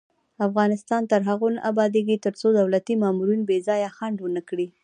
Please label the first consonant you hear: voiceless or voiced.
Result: voiceless